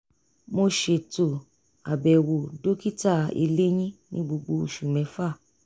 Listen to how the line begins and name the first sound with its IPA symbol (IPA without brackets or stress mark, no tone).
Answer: m